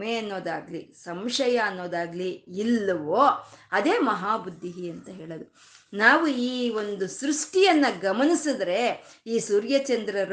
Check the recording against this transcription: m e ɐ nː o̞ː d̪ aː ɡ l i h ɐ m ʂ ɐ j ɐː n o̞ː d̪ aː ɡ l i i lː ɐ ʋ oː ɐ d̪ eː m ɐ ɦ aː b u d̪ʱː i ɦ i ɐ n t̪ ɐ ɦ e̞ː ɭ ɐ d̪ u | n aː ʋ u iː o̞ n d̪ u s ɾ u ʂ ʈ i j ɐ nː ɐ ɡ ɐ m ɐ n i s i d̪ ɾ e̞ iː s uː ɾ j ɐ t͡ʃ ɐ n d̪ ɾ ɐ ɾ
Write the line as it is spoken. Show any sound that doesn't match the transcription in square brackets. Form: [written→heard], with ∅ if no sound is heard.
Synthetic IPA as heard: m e ɐ nː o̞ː d̪ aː ɡ l i [h→s] ɐ m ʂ ɐ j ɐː [n→nː] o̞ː d̪ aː ɡ l i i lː ɐ ʋ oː ɐ d̪ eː m ɐ ɦ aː b u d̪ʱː i ɦ i ɐ n t̪ ɐ ɦ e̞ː ɭ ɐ d̪ u | n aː ʋ u iː o̞ n d̪ u s ɾ u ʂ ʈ i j ɐ nː ɐ ɡ ɐ m ɐ n i s i d̪ ɾ e̞ iː s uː ɾ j ɐ t͡ʃ ɐ n d̪ ɾ ɐ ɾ